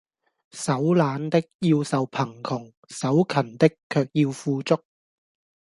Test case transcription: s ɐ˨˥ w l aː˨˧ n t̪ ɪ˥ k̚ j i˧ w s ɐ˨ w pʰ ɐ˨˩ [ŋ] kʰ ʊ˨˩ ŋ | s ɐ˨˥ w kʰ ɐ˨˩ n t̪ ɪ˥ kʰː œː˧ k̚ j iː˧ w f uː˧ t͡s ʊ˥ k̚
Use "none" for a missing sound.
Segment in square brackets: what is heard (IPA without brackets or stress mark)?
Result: ŋ